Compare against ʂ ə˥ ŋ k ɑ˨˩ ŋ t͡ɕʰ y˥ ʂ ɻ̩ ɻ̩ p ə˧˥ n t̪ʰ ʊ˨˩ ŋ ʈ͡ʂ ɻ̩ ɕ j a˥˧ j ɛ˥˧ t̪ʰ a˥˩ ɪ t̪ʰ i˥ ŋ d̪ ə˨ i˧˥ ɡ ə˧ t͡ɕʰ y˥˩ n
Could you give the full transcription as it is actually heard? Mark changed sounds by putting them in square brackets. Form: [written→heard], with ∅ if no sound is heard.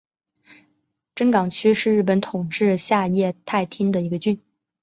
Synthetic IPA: [ʂ→ʈ͡ʂ] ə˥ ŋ k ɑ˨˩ ŋ t͡ɕʰ y˥ ʂ ɻ̩ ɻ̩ p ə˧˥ n t̪ʰ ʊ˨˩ ŋ ʈ͡ʂ ɻ̩ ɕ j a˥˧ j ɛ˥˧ t̪ʰ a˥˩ ɪ t̪ʰ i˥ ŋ d̪ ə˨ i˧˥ ɡ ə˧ [t͡ɕʰ→t͡ɕ] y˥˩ n